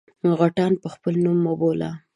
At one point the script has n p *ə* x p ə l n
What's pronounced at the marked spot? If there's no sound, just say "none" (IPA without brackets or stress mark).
ə